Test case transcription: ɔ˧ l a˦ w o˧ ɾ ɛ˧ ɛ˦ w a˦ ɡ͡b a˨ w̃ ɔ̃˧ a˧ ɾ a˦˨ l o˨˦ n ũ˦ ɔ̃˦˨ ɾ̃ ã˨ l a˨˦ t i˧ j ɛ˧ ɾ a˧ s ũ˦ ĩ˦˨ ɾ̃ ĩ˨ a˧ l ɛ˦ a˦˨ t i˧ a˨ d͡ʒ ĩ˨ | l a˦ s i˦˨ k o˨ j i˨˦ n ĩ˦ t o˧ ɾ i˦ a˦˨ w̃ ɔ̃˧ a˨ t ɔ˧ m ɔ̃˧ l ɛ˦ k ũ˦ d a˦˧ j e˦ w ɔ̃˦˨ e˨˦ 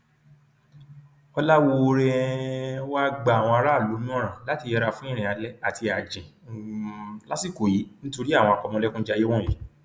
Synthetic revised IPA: ɔ˧ l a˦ w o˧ ɾ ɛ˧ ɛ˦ w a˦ ɡ͡b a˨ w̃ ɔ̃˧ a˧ ɾ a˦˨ l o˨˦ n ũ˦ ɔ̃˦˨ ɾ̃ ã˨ l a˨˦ t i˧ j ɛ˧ ɾ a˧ f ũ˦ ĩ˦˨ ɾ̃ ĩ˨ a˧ l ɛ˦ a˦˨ t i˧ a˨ d͡ʒ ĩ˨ | l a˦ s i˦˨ k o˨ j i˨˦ n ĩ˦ t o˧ ɾ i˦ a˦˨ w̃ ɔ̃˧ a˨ k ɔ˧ m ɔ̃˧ l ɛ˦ k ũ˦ d͡ʒ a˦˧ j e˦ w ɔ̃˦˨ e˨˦